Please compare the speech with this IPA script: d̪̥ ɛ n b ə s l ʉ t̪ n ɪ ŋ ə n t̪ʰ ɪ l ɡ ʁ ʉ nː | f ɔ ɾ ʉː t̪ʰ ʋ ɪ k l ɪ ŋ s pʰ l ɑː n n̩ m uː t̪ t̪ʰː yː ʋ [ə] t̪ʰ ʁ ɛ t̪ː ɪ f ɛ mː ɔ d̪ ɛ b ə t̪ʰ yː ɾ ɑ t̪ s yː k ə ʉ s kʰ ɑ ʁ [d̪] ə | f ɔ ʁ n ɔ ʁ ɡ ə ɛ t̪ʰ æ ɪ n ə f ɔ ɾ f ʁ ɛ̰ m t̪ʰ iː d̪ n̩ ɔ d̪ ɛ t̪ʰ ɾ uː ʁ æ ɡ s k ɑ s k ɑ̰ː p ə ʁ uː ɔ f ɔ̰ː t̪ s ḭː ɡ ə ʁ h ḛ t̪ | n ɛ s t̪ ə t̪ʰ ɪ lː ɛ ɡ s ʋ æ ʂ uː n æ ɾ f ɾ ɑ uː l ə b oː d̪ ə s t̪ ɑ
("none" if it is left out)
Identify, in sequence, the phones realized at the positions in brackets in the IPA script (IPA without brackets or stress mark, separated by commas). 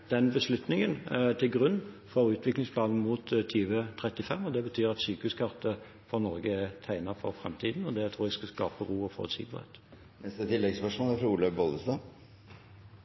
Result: ə, t̪